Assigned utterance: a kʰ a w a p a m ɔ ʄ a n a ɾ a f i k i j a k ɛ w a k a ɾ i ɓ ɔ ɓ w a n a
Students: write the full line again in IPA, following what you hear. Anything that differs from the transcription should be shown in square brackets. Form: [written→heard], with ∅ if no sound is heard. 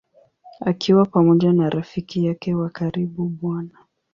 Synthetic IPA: a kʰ [a→i] w a p a m ɔ ʄ a n a ɾ a f i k i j a k ɛ w a k a ɾ i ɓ [ɔ→u] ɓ w a n a

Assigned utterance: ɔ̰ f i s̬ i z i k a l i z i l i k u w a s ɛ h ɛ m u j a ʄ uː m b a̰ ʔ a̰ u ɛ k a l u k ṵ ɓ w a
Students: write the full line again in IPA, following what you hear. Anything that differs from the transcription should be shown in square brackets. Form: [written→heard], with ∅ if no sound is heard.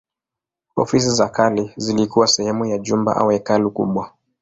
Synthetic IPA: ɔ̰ f i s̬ i z [i→a] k a l i z i l i k u w a s ɛ h ɛ m u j a ʄ [uː→u] m b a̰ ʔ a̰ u ɛ k a l u k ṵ ɓ w a

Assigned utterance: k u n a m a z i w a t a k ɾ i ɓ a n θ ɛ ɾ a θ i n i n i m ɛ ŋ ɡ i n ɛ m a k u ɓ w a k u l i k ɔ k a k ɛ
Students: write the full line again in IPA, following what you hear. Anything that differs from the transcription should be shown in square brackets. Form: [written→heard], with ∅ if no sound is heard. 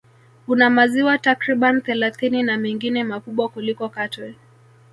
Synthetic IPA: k u n a m a z i w a t a k ɾ i ɓ a n θ ɛ [ɾ→l] a θ i n i n [i→a] m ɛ ŋ ɡ i n ɛ m a k u ɓ w a k u l i k ɔ k a [k→t] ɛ

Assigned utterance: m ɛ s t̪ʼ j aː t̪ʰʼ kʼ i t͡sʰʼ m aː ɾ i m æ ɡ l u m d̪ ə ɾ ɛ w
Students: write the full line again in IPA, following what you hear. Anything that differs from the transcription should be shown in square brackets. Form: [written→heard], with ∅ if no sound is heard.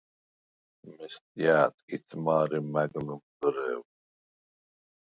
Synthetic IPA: m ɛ s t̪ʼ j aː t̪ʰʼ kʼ i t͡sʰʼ m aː ɾ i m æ ɡ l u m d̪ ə ɾ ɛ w

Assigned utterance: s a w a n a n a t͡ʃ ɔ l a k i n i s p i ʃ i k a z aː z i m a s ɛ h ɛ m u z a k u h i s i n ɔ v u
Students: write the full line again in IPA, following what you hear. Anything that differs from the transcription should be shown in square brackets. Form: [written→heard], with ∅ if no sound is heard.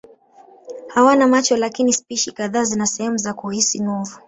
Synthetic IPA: [s→h] a w a n a [n→m] a t͡ʃ ɔ l a k i n i s p i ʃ i k a [z→ð] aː z i [m→n] a s ɛ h ɛ m u z a k u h i s i n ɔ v u

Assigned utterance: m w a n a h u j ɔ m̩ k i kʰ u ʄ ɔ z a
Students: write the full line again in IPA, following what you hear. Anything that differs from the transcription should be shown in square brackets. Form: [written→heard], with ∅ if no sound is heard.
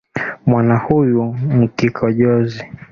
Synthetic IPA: m w a n a h u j [ɔ→u] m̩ k i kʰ [u→ɔ] ʄ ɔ z [a→i]

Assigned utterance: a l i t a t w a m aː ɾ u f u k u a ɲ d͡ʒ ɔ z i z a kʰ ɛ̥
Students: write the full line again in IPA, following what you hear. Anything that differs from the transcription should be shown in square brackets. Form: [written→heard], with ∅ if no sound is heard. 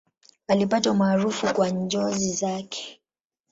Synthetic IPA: a l i [t→p] a t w a m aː ɾ u f u k [u→w] a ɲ d͡ʒ ɔ z i z a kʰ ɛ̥

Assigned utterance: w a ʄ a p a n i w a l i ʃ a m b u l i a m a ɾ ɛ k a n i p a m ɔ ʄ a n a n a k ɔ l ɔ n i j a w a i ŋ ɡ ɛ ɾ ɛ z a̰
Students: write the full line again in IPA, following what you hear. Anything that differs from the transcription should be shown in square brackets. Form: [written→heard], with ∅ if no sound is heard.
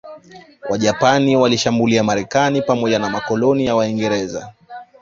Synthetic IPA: w a ʄ a p a n i w a l i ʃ a m b u l i a m a ɾ ɛ k a n i p a m ɔ ʄ a n a [n→m] a k ɔ l ɔ n i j a w a i ŋ ɡ ɛ ɾ ɛ z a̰

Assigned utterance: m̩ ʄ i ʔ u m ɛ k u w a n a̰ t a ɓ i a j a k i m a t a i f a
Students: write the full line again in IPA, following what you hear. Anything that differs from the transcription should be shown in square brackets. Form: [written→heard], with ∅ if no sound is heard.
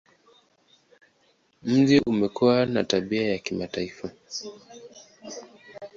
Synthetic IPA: m̩ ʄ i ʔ u m ɛ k u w a n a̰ t a ɓ i a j a k i m a t a i f a

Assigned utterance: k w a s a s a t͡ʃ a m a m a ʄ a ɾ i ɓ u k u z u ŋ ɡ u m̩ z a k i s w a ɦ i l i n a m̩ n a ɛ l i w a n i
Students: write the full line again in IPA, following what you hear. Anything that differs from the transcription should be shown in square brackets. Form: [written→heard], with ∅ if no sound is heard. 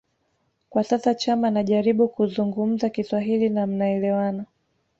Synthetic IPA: k w a s a s a t͡ʃ a m a [m→n] a ʄ a ɾ i ɓ u k u z u ŋ ɡ u m̩ z a k i s w a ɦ i l i n a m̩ n a ɛ l [i→ɛ] w a n [i→a]

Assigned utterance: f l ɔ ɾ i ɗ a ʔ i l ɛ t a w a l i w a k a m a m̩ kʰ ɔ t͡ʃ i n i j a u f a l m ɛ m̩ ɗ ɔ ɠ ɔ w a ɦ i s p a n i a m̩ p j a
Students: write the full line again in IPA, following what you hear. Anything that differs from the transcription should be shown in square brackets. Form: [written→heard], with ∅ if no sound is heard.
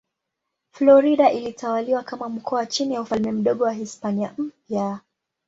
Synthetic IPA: f l ɔ ɾ i ɗ a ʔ i l [ɛ→i] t a w a l i w a k a m a m̩ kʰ ɔ t͡ʃ i n i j a u f a l m ɛ m̩ ɗ ɔ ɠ ɔ w a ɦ i s p a n i a m̩ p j a

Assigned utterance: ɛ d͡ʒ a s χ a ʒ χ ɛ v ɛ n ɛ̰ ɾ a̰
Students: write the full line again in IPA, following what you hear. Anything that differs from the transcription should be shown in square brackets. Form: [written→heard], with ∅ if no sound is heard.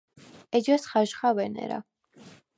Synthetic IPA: ɛ d͡ʒ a s χ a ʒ χ [ɛ→a] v ɛ n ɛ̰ ɾ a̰

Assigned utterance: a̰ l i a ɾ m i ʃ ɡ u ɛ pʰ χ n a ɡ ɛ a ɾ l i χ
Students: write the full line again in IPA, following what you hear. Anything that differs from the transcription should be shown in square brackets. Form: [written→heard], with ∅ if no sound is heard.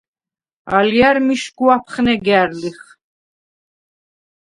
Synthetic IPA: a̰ l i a ɾ m i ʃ ɡ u [ɛ→a] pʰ χ n [a→ɛ] ɡ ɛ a ɾ l i χ

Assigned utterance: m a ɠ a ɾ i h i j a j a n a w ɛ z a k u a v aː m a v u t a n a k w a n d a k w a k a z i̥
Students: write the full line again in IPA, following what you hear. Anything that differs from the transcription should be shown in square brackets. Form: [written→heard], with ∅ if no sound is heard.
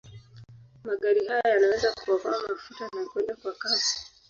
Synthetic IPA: m a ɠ a ɾ i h [i→a] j a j a n a w ɛ z a k u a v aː m a [v→f] u t a n a k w [a→ɛ] n d a k w a k a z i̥

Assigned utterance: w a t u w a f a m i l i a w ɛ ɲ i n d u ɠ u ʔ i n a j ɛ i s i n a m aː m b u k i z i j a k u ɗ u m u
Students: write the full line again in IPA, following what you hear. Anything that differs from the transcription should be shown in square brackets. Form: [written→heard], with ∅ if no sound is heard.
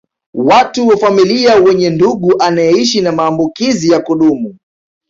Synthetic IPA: w a t u w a f a m i l i a w ɛ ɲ [i→ɛ] n d u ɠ u ʔ [i→a] n a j ɛ i [s→ʃ] i n a m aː m b u k i z i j a k u ɗ u m u

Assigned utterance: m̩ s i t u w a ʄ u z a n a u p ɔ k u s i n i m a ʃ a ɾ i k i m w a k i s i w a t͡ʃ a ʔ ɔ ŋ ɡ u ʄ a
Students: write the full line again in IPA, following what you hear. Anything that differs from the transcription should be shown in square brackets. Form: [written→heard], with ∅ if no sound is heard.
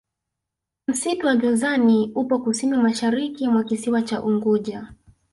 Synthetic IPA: m̩ s i t u w a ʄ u z a n [a→i] u p ɔ k u s i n i m a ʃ a ɾ i k i m w a k i s i w a t͡ʃ a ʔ [ɔ→u] ŋ ɡ u ʄ a

